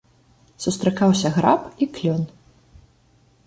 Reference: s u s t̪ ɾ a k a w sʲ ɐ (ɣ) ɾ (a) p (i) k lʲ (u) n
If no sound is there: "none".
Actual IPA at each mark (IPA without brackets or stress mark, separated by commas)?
ɣ, a, i, ɔ